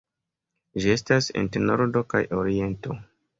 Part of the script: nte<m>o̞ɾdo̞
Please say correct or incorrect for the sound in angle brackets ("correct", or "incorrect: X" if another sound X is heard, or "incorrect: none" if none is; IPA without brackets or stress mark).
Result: incorrect: n